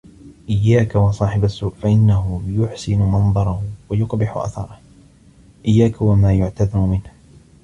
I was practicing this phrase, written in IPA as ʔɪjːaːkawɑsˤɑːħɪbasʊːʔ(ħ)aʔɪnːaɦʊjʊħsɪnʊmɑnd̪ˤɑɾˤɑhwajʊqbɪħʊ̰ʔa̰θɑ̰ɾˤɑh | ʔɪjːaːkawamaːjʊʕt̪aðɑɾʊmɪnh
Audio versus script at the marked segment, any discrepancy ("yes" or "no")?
yes